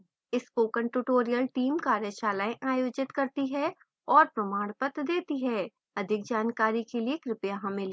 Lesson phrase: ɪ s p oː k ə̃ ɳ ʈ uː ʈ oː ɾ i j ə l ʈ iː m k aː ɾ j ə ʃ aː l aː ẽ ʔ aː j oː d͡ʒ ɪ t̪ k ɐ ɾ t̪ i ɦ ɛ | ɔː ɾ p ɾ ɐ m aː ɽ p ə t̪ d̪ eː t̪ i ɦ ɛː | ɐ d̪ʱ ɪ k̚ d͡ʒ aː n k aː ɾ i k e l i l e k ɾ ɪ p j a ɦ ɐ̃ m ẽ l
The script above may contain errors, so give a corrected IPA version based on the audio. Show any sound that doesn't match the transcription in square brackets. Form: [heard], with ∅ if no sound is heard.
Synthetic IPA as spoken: ɪ s p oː k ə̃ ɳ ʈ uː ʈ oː ɾ i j ə l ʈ iː m k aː ɾ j ə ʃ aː l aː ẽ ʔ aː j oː d͡ʒ ɪ t̪ k ɐ ɾ t̪ i ɦ ɛ | ɔː ɾ p ɾ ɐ m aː ɽ p ə t̪ d̪ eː t̪ i ɦ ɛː | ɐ d̪ʱ ɪ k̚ d͡ʒ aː n k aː ɾ i k e l i [∅] e k ɾ ɪ p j a ɦ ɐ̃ m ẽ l